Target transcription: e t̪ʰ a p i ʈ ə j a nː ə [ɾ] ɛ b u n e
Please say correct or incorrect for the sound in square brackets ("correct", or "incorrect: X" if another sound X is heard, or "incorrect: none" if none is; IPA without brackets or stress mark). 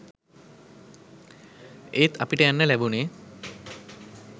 incorrect: l